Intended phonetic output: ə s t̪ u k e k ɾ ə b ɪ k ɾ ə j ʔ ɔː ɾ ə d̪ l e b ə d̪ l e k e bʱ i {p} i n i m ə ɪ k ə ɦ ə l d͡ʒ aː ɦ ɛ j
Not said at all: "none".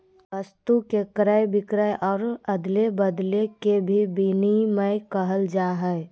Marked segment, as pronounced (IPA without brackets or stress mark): b